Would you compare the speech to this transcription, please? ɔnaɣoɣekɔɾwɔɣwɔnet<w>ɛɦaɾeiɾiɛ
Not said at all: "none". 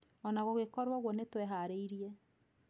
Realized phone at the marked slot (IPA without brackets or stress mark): w